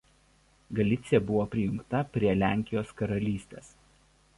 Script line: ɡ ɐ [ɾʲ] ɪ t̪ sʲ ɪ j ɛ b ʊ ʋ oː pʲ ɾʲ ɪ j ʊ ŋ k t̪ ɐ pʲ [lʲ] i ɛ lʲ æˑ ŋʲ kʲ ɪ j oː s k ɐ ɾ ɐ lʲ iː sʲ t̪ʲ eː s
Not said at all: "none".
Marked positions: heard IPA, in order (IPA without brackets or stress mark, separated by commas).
lʲ, ɾʲ